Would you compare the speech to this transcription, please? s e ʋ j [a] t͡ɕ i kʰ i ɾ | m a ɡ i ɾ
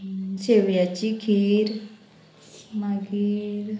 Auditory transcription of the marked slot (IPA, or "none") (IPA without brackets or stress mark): a